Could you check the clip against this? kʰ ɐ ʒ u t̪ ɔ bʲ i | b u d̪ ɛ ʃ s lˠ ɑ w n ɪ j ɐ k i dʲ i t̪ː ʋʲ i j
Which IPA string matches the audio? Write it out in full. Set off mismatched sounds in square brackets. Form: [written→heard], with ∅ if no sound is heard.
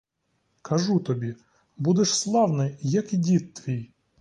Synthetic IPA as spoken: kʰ ɐ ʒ u t̪ ɔ bʲ i | b u d̪ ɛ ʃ s lˠ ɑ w n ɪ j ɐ k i dʲ i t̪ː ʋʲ i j